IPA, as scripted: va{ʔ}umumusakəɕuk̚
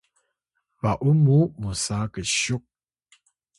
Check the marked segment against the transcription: correct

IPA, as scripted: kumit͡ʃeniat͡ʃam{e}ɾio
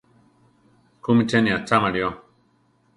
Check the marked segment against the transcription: incorrect: a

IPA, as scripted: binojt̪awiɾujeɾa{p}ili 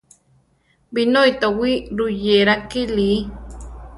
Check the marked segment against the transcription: incorrect: k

